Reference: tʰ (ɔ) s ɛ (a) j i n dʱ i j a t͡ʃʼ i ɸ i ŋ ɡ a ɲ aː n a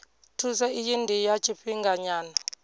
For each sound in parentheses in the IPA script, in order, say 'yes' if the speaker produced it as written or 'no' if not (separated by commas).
no, no